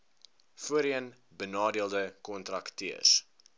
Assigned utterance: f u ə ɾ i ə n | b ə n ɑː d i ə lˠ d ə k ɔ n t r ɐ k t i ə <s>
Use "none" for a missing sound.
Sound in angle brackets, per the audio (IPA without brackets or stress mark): s